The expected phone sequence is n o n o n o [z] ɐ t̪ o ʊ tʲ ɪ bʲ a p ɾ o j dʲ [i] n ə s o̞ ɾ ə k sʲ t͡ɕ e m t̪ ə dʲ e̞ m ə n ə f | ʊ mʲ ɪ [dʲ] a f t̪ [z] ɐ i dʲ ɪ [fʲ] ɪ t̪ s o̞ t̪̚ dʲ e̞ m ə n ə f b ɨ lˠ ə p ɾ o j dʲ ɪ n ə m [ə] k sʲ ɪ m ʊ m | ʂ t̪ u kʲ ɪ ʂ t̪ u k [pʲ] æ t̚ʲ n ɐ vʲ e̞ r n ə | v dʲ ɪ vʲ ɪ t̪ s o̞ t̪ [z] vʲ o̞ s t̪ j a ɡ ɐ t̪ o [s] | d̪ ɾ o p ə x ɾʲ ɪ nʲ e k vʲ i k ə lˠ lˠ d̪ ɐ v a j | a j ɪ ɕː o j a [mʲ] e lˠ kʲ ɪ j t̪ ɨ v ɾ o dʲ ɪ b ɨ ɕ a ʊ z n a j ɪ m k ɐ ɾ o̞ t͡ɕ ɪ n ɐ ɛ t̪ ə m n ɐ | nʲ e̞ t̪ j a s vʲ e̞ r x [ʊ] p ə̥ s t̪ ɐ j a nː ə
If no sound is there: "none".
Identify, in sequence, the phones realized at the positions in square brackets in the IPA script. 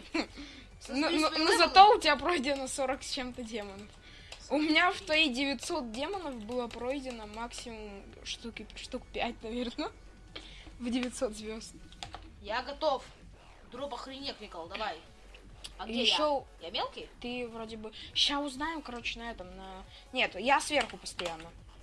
z, ɪ, nʲ, v, vʲ, a, pʲ, z, f, mʲ, ʊ

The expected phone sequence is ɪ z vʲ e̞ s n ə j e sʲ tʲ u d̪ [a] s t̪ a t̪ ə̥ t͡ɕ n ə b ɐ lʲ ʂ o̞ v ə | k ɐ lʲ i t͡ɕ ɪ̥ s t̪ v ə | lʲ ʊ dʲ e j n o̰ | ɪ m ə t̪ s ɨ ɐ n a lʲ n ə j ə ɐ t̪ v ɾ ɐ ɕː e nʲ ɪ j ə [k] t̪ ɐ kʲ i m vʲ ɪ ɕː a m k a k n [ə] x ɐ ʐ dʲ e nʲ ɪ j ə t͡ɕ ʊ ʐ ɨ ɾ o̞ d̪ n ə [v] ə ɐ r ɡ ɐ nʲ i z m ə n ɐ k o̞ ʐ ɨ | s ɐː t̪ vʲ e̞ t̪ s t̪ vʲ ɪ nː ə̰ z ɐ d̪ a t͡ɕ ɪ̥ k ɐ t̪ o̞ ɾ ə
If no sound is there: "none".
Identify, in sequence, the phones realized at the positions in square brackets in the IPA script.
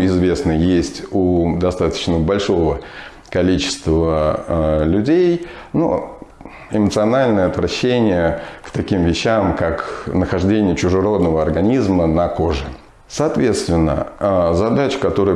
ɐ, k, ə, v

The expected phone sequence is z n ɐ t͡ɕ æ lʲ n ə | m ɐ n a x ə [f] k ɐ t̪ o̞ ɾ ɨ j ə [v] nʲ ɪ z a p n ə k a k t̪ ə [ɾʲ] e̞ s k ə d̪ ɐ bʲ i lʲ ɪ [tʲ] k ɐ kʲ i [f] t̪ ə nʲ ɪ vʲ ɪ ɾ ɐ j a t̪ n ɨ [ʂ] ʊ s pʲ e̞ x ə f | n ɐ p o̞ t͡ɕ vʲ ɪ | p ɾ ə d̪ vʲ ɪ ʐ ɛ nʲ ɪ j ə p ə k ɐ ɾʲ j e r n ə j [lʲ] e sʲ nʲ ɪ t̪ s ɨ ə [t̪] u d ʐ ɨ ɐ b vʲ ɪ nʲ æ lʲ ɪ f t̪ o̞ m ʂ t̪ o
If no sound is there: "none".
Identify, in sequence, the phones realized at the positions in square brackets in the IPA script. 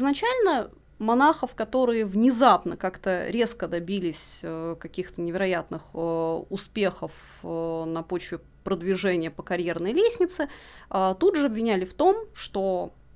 f, v, ɾʲ, sʲ, x, x, lʲ, t̪

